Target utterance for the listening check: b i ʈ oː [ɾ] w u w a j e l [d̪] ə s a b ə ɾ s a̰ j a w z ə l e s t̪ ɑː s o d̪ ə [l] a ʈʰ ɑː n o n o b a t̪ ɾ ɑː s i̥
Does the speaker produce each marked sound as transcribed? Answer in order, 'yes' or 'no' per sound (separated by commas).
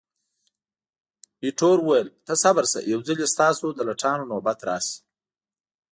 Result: yes, no, yes